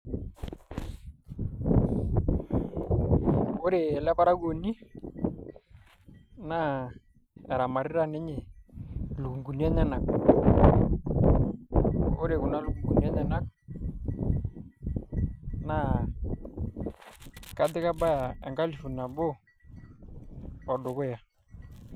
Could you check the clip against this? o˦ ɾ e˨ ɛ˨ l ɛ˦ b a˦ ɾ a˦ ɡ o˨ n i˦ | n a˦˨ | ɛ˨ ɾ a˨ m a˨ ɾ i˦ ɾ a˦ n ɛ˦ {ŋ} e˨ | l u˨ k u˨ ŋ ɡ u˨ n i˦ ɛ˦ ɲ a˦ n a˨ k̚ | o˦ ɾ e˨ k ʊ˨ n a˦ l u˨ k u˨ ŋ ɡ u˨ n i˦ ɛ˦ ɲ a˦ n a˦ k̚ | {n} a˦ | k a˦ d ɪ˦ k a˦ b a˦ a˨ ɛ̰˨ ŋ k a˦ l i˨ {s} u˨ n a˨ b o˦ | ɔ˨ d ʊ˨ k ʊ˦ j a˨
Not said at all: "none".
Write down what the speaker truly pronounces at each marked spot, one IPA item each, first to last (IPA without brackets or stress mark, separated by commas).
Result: ɲ, n, f